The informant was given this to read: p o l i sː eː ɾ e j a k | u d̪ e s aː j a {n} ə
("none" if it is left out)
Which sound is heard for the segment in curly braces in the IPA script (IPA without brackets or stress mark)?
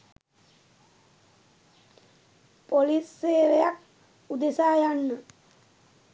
nː